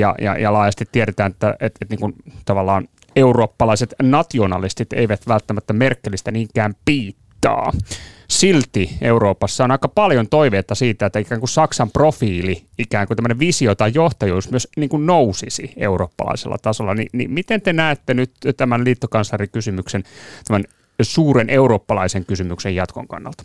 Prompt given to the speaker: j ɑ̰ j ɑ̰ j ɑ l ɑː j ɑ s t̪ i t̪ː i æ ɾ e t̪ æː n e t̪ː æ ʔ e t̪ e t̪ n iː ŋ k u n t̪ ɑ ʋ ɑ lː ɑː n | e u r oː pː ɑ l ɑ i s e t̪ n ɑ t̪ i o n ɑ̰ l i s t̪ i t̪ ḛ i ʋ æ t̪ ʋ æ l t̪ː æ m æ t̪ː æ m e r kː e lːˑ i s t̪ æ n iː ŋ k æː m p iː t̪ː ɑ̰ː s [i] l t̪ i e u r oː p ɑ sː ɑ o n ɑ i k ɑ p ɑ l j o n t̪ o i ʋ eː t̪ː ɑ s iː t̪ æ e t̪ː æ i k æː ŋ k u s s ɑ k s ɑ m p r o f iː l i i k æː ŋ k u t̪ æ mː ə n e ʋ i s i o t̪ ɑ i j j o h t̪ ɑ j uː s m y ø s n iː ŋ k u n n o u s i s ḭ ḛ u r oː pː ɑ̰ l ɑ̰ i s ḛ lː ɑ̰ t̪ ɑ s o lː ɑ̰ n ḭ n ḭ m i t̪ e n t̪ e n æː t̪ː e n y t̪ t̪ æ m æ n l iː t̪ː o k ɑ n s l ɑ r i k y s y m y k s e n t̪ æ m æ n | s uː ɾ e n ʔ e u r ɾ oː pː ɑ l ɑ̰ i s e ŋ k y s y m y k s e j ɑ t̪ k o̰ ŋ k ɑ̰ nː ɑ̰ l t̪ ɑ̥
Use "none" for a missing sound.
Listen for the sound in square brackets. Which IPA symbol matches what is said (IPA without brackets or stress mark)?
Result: i